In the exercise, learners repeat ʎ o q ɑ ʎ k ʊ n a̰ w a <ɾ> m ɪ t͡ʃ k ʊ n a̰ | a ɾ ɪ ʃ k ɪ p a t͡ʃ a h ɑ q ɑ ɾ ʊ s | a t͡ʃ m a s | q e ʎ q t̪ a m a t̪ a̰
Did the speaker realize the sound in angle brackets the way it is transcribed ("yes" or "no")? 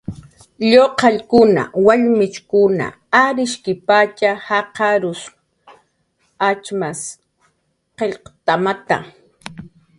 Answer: no